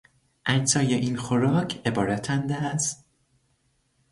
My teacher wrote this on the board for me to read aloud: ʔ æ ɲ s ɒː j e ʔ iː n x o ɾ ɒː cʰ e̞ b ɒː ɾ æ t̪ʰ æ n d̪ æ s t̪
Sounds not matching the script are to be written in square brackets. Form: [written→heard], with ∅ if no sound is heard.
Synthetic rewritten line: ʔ æ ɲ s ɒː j e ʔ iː n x o ɾ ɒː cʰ e̞ b ɒː ɾ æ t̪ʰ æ n d̪ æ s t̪